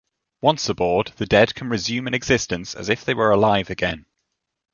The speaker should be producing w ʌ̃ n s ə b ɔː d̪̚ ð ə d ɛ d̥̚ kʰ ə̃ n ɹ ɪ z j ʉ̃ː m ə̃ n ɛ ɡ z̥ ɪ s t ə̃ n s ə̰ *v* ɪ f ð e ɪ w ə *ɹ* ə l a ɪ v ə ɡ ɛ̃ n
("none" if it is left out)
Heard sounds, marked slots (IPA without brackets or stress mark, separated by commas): z, ɹ